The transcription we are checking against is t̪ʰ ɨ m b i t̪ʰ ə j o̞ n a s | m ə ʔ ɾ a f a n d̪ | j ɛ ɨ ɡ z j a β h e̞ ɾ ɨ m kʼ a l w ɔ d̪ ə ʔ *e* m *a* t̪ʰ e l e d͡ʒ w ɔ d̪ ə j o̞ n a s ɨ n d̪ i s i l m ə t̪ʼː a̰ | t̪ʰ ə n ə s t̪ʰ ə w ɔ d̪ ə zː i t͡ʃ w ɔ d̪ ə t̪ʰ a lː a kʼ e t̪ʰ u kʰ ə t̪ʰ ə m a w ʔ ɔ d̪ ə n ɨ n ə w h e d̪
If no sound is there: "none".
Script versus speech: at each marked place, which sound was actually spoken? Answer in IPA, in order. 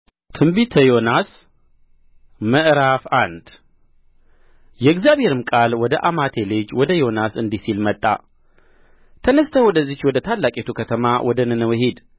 a, a

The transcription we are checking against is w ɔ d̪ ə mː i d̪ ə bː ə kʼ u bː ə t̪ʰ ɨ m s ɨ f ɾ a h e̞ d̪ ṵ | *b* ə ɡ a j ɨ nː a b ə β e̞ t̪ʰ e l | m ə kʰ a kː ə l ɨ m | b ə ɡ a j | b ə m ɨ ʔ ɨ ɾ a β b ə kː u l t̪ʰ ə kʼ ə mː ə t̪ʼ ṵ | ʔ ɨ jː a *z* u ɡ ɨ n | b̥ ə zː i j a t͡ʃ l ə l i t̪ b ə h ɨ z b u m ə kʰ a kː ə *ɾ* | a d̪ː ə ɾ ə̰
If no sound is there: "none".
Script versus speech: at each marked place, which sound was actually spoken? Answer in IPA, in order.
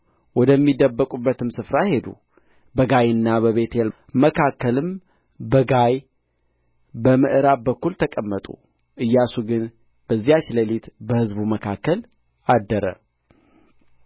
b, s, l

